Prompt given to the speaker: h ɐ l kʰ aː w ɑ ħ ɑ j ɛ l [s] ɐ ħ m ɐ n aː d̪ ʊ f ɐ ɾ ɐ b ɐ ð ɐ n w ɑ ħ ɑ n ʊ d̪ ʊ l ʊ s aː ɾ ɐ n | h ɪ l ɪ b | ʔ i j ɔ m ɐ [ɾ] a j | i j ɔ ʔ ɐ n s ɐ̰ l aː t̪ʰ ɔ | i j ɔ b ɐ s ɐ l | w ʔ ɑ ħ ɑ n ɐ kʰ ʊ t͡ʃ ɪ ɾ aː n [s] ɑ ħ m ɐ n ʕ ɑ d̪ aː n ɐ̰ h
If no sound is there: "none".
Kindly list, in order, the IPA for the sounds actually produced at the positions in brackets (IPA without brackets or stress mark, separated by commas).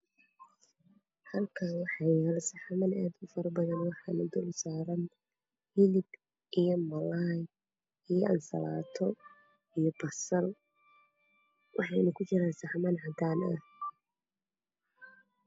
s, l, s